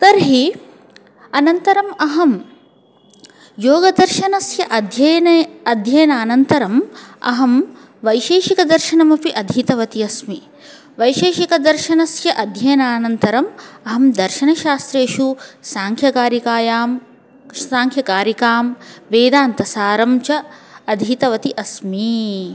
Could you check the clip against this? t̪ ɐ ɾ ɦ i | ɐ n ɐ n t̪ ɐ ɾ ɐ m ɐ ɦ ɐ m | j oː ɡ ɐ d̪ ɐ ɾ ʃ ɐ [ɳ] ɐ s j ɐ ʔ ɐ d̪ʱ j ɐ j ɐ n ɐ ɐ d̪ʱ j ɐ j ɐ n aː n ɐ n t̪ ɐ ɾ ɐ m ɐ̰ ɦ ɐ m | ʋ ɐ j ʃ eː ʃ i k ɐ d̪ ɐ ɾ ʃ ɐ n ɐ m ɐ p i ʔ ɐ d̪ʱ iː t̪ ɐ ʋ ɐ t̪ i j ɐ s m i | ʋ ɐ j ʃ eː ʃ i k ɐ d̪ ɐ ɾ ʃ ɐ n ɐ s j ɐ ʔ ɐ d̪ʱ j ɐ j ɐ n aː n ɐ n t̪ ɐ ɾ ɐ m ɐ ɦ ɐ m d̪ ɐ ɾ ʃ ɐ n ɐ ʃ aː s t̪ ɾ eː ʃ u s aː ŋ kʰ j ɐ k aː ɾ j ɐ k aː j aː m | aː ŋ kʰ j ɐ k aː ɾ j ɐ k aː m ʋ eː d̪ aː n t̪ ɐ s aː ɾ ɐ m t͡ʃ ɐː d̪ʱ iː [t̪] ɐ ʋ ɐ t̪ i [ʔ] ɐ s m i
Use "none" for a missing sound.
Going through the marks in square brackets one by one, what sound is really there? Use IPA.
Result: n, t̪, ʔ

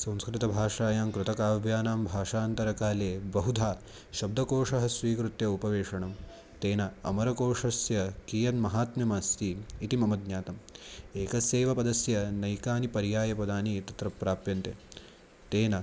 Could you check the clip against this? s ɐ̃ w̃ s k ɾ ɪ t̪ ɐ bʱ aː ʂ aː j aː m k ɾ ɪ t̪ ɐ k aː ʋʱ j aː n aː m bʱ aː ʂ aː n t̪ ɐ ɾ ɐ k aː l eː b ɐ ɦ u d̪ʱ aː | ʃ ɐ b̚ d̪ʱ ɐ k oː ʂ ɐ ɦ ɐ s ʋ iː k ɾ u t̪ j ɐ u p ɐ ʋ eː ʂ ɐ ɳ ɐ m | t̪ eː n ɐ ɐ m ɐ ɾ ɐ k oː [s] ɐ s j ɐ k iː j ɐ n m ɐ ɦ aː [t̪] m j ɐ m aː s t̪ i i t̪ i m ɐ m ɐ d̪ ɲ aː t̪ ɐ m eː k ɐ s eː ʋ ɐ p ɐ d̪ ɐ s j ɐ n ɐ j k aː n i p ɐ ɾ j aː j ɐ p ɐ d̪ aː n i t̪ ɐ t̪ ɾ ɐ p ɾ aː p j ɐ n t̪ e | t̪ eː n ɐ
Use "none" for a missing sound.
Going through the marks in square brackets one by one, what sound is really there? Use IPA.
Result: ʂ, t̪

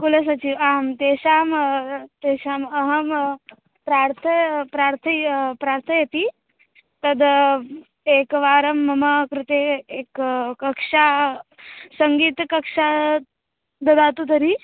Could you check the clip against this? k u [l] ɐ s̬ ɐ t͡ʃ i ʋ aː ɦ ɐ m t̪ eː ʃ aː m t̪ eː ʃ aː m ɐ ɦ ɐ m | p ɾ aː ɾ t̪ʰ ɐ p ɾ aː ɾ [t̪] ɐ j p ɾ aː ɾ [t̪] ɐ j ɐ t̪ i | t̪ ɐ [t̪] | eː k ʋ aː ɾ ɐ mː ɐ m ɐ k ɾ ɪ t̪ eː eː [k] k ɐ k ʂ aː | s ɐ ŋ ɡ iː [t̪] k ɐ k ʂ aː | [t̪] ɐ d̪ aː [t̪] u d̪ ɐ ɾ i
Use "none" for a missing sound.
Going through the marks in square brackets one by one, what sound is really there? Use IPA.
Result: l, t̪ʰ, t̪ʰ, d̪, k, t̪, d̪, t̪

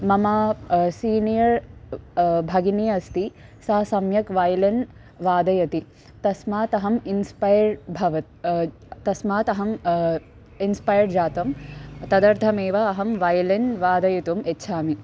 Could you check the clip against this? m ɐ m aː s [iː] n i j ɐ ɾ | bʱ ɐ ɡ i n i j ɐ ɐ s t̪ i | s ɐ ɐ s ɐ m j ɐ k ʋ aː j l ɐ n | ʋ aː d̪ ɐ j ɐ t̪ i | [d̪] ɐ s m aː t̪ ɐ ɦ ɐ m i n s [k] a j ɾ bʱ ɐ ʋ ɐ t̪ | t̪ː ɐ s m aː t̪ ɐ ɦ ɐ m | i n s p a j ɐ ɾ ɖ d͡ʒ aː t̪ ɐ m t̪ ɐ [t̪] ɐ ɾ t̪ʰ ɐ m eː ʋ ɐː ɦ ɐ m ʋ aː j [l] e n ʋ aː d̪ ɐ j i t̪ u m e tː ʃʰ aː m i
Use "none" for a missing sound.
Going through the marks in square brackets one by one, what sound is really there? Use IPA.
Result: iː, t̪, p, d̪, l

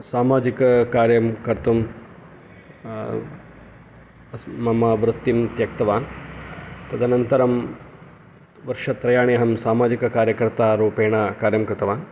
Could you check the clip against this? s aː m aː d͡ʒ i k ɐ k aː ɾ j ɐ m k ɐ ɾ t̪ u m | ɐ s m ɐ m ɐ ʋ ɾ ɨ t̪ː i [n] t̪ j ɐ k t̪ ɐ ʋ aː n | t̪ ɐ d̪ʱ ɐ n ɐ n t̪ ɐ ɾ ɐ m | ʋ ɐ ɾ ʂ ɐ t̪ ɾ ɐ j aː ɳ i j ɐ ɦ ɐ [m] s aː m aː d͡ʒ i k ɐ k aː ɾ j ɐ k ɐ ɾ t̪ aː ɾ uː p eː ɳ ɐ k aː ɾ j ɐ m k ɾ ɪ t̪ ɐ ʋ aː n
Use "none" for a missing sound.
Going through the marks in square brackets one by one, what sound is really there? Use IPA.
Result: m, m

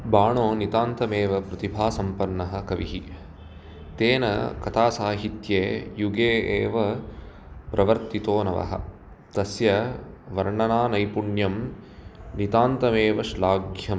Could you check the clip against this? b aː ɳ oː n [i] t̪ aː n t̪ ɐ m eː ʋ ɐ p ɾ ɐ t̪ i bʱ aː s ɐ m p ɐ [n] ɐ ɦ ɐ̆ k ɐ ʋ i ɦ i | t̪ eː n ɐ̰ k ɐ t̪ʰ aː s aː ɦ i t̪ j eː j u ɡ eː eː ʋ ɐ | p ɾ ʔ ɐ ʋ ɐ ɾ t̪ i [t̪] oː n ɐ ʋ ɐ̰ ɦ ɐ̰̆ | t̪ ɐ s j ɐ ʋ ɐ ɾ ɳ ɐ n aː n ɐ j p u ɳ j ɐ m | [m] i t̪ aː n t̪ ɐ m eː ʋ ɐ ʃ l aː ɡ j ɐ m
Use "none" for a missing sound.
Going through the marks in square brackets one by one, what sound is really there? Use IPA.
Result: i, nː, t̪, n

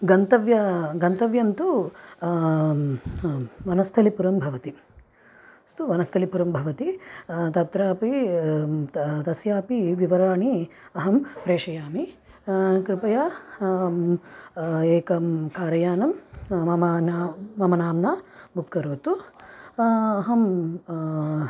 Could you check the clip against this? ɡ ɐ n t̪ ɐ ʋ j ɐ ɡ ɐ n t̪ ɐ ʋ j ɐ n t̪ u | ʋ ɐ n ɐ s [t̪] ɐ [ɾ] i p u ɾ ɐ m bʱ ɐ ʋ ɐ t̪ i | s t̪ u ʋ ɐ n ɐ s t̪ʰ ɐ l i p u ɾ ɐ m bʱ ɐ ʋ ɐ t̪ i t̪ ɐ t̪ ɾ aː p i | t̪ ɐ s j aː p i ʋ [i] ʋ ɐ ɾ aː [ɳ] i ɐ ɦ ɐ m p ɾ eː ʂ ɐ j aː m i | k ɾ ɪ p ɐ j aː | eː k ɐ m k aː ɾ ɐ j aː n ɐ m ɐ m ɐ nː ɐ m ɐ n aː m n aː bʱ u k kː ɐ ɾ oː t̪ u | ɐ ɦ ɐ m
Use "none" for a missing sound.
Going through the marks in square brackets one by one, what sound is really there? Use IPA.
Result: t̪ʰ, l, i, ɳ

